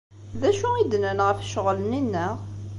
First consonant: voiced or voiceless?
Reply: voiced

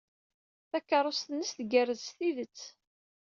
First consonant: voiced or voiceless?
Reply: voiceless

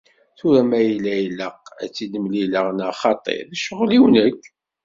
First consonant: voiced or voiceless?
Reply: voiceless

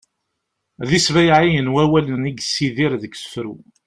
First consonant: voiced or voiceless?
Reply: voiced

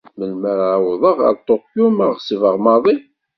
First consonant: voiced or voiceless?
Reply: voiced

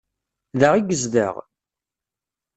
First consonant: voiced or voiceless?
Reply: voiced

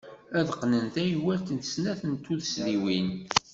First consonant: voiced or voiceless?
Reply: voiced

